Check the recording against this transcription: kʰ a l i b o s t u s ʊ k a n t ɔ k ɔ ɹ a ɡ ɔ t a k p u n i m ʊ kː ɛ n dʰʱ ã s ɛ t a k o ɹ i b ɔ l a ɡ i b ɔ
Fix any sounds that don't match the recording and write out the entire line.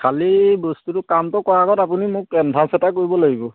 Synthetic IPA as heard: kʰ a l i b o s t u t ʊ k a m t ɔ k ɔ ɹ a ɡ ɔ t a p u n i m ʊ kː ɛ n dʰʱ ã s ɛ t a k o ɹ i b ɔ l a ɡ i b ɔ